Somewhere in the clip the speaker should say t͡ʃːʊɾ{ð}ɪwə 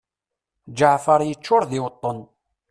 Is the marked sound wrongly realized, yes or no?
no